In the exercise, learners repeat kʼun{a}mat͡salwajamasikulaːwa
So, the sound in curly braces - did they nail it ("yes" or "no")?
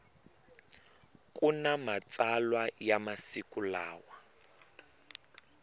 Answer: yes